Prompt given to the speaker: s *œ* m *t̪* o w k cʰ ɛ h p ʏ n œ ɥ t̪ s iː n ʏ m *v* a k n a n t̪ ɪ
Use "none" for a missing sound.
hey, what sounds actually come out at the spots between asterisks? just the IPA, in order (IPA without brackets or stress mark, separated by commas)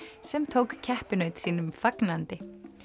ɛ, t̪ʰ, f